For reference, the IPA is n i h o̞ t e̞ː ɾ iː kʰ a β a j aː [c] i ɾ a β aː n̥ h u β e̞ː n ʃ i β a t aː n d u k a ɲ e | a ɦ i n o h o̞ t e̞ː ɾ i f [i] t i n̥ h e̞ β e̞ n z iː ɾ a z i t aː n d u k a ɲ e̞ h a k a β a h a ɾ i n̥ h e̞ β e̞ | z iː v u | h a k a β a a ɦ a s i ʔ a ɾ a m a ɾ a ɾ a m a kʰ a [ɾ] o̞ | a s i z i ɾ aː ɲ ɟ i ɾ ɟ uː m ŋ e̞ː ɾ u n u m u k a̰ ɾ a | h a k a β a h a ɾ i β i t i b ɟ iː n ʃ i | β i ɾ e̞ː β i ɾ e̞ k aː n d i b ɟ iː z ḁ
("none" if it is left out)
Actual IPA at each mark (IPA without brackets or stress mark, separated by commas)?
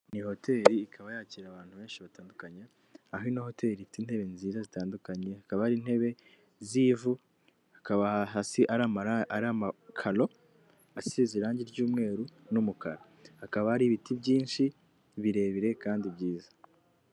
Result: c, i, l